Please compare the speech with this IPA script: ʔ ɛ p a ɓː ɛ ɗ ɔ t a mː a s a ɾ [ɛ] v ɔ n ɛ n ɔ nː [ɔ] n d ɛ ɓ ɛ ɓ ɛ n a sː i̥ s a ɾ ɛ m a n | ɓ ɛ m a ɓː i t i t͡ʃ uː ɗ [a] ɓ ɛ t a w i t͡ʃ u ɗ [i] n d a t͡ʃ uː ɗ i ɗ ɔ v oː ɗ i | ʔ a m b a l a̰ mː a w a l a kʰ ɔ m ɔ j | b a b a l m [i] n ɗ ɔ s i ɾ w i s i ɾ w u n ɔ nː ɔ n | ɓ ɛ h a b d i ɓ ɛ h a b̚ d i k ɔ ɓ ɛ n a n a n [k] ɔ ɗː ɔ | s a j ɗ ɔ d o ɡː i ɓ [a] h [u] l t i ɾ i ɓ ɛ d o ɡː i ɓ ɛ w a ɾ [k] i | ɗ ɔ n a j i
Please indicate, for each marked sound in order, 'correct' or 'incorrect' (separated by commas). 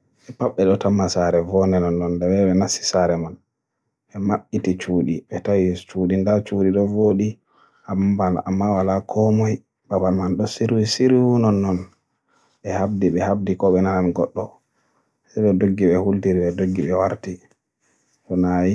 correct, correct, incorrect, correct, incorrect, incorrect, incorrect, correct, incorrect